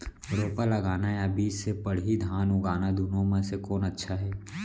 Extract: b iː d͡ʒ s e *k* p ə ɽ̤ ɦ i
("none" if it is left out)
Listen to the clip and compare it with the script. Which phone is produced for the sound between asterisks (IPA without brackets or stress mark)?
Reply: none